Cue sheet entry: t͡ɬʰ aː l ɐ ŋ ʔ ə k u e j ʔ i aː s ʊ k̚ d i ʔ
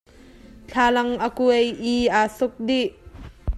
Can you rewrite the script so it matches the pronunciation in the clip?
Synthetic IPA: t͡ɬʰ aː l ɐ ŋ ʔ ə k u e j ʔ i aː s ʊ k̚ d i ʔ